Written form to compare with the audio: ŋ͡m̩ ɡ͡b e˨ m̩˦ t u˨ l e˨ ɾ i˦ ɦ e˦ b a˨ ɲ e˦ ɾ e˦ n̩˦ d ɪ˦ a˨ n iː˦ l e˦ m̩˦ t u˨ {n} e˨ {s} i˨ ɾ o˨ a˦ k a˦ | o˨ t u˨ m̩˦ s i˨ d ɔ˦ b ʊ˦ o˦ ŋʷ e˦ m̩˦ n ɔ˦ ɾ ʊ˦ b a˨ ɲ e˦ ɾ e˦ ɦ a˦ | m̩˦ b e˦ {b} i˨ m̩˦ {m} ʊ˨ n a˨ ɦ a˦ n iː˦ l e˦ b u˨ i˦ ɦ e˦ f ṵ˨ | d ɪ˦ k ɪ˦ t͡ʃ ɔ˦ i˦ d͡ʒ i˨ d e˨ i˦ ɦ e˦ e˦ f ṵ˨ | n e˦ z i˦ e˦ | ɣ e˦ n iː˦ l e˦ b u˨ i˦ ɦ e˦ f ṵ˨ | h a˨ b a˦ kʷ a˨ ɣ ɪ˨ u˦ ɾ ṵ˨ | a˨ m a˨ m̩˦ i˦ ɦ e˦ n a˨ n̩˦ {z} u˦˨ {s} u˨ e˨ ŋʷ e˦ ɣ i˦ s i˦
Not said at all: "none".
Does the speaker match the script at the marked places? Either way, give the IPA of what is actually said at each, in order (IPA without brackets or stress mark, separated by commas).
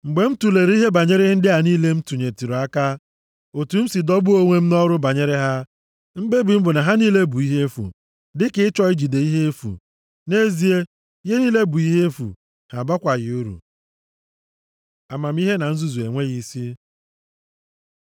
ɲ, t, b, b, z, z